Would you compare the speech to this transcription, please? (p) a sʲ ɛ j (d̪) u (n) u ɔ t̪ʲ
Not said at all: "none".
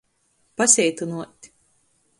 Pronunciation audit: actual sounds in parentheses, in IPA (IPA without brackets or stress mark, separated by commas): p, t̪, n